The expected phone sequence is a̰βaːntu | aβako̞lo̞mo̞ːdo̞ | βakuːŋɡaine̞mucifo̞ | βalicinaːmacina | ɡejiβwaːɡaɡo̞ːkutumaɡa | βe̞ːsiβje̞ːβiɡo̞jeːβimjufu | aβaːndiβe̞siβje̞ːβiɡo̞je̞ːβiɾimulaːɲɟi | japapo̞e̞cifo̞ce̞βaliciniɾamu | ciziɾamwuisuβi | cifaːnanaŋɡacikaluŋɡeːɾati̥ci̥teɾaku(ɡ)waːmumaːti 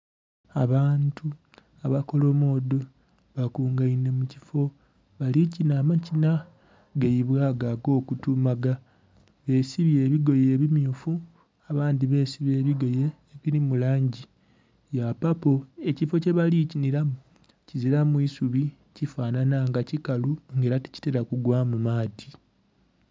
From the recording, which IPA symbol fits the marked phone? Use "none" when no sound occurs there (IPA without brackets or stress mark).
ɡ